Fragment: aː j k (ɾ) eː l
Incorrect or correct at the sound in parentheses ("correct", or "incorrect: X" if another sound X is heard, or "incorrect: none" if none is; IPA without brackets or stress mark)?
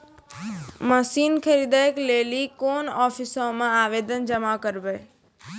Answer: incorrect: l